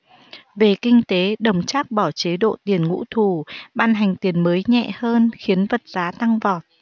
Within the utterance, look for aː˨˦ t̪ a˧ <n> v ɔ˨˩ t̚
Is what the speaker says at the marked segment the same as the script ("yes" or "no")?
no